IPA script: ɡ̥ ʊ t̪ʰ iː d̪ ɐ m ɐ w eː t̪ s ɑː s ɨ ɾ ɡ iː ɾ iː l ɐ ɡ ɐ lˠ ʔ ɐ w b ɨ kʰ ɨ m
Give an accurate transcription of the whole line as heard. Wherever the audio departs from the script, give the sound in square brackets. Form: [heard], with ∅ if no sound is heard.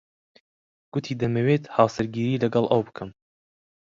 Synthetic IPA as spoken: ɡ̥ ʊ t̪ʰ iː d̪ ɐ m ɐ w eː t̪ [h] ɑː s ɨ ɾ ɡ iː ɾ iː l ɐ ɡ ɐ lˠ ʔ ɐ w b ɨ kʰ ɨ m